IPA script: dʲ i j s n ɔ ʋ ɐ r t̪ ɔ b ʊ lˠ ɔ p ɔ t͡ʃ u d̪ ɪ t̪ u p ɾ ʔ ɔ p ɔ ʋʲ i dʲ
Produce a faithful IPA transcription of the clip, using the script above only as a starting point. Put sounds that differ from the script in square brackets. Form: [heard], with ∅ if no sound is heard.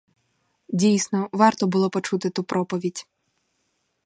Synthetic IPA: dʲ i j s n ɔ ʋ [ɑ] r t̪ ɔ b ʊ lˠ ɔ p ɔ t͡ʃ u [t̪] ɪ t̪ u p ɾ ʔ ɔ p ɔ ʋʲ i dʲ